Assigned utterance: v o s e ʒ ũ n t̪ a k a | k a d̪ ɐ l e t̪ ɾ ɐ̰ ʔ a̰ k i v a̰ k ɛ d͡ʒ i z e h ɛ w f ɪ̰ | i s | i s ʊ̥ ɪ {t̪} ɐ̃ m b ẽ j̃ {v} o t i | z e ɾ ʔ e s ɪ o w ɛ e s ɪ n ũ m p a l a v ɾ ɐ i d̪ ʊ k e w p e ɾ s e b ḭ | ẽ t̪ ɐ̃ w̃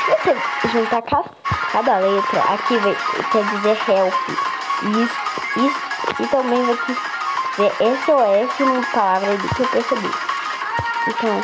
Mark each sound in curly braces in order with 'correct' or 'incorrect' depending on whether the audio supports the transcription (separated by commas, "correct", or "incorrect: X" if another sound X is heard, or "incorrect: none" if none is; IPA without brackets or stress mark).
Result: correct, correct